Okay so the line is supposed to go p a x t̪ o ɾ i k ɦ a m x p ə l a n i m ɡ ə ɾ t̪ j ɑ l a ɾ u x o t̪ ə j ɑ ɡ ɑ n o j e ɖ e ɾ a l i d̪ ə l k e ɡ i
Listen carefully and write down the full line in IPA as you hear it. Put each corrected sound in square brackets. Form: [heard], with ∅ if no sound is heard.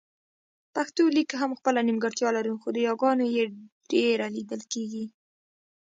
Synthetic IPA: p a x t̪ o [l] i k ɦ a m x p ə l a n i m ɡ ə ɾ t̪ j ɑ l a ɾ u x o [d̪] ə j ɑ ɡ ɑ n o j e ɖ e ɾ a l i d̪ ə l k e ɡ i